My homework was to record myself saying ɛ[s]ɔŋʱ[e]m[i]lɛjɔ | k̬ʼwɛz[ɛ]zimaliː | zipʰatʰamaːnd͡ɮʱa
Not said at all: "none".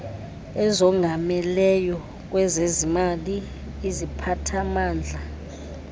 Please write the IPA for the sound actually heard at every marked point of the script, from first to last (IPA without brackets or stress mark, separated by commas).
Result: z, a, ɛ, e